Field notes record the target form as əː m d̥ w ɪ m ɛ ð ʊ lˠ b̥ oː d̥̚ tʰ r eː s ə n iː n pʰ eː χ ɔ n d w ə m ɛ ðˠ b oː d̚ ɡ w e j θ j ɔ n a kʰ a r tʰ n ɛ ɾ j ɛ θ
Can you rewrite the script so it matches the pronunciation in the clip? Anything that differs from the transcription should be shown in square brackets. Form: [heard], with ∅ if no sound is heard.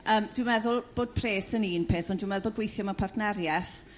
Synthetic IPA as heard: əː m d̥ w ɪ m ɛ ð ʊ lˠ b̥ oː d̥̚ [pʰ] r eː s ə n iː n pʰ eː [θ] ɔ n d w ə m ɛ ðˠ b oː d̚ ɡ w e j θ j ɔ [m] a [pʰ] a r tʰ n ɛ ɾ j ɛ θ